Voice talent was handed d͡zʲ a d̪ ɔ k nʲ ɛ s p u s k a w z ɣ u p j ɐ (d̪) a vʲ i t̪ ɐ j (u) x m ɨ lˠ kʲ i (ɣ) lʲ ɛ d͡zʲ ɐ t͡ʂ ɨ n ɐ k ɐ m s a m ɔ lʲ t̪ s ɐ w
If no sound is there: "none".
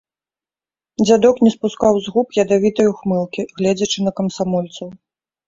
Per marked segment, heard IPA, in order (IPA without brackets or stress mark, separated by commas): d̪, u, ɣ